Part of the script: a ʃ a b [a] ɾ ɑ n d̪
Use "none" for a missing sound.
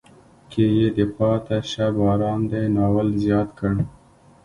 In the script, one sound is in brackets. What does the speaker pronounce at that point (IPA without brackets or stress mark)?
ɑ